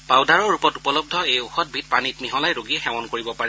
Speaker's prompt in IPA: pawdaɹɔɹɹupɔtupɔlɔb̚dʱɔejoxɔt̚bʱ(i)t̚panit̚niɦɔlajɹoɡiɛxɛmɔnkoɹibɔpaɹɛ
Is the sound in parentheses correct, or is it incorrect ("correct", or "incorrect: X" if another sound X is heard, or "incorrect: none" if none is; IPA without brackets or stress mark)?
correct